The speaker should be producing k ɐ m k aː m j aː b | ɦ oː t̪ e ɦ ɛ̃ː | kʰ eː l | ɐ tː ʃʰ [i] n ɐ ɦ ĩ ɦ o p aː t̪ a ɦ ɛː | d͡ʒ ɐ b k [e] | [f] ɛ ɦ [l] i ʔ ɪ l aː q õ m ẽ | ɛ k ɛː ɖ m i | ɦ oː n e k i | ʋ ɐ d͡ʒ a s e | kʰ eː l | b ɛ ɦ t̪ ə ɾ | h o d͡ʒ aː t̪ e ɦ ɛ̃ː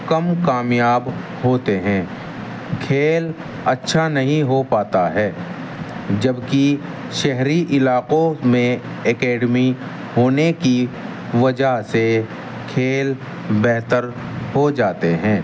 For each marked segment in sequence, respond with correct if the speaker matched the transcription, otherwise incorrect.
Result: incorrect: a, incorrect: i, incorrect: ʃ, incorrect: ɾ

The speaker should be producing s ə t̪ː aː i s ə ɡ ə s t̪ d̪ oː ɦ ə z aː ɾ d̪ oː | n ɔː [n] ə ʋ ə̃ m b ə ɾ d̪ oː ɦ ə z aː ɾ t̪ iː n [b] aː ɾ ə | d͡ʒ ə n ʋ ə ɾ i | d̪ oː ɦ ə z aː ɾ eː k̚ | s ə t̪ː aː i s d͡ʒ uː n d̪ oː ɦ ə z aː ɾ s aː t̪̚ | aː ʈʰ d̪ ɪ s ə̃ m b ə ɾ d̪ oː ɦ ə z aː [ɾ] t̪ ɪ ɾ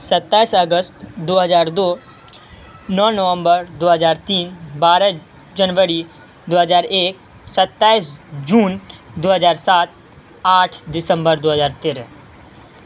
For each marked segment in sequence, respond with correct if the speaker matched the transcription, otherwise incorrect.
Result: correct, correct, correct

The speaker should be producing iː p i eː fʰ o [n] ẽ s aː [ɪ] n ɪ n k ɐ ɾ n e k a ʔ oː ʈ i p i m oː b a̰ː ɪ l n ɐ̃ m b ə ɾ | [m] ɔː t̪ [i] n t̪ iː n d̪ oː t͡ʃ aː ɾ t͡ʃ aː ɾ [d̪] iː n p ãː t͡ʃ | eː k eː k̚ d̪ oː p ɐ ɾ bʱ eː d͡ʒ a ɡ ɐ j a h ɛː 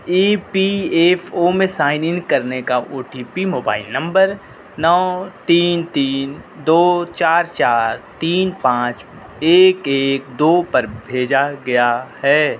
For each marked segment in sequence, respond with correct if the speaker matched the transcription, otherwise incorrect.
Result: incorrect: m, correct, incorrect: n, incorrect: iː, incorrect: t̪

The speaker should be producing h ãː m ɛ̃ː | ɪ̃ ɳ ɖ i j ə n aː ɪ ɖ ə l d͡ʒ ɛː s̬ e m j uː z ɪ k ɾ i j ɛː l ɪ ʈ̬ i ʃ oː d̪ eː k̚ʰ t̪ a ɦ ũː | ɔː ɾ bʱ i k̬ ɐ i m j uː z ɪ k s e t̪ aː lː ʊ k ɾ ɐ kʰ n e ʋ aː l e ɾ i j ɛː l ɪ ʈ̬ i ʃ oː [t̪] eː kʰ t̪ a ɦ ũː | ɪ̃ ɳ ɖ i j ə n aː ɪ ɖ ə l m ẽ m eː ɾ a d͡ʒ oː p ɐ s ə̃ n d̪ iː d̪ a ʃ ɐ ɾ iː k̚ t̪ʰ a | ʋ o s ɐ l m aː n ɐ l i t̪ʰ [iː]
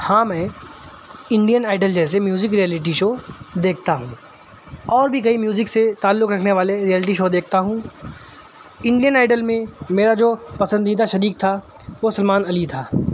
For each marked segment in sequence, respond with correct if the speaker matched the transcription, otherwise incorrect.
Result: incorrect: d̪, incorrect: aː

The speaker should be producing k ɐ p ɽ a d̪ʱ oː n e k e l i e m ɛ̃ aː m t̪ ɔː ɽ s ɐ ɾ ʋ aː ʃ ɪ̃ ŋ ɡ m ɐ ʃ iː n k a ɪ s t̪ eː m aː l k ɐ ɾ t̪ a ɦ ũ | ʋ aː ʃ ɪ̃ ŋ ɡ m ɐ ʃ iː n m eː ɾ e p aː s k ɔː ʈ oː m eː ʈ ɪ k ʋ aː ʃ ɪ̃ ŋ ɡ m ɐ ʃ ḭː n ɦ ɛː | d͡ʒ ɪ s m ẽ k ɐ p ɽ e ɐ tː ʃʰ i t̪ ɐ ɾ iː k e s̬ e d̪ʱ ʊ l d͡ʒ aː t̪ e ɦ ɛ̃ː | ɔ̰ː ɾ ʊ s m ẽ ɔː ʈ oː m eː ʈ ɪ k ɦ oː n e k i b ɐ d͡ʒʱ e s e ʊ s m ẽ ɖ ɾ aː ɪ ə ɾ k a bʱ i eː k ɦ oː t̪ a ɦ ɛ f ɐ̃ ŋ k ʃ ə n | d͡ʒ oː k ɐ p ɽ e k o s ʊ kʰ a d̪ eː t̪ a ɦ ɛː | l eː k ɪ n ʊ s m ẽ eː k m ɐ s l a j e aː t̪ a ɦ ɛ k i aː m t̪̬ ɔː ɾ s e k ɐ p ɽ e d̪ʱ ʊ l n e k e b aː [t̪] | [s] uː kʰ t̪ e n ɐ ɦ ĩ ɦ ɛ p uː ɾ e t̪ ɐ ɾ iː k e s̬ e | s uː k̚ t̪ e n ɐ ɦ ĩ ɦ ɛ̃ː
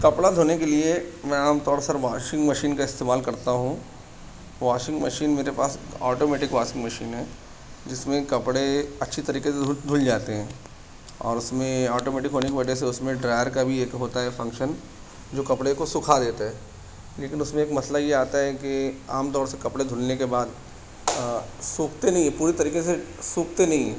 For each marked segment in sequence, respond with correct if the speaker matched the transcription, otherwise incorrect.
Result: incorrect: d̪, correct

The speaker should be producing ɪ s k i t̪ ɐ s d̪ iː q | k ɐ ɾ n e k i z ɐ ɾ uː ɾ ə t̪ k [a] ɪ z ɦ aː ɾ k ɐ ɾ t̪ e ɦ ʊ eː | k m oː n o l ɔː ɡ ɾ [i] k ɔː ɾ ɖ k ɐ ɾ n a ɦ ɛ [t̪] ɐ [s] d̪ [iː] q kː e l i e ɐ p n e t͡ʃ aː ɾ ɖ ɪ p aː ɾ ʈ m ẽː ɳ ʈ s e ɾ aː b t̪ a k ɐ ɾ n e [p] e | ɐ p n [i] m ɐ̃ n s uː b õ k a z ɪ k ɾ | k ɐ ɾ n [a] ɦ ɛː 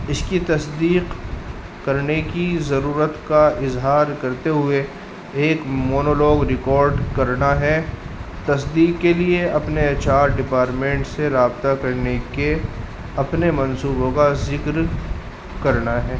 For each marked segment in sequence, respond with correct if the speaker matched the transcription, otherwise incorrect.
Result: correct, incorrect: ɪ, correct, correct, correct, incorrect: k, incorrect: e, correct

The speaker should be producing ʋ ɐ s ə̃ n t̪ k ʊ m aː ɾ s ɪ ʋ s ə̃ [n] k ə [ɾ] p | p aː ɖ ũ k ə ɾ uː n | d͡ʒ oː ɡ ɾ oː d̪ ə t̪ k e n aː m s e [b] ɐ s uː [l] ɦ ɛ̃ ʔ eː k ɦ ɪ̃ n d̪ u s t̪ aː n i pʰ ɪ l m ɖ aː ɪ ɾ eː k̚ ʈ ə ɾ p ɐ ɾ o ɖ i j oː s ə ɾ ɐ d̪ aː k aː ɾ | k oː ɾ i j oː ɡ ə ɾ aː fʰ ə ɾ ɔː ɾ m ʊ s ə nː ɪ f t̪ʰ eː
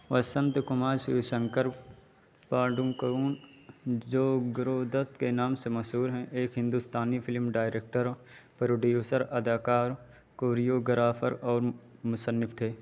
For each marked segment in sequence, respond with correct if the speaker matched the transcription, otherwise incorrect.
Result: incorrect: ŋ, correct, incorrect: m, incorrect: ɾ

